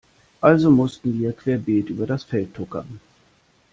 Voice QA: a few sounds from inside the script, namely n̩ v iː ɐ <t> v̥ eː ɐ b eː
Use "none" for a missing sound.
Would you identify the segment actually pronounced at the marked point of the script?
k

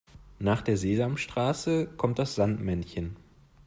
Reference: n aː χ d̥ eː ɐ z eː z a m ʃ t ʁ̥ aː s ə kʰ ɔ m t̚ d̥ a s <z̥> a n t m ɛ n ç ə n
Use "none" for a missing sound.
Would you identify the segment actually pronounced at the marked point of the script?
z̥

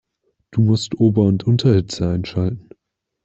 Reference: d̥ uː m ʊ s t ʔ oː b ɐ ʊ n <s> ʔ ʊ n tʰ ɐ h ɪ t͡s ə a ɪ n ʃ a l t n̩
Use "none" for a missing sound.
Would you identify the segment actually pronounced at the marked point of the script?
t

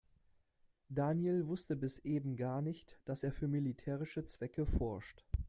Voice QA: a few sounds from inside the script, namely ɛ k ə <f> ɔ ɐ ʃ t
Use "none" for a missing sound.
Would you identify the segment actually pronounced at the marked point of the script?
f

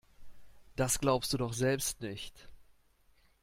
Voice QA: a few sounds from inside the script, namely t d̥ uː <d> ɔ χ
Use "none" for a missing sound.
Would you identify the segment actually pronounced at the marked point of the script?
d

